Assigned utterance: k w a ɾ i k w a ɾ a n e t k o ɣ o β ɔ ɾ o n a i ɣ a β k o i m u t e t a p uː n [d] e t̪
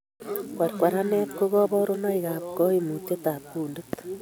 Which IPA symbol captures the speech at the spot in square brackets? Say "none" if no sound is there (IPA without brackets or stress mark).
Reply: d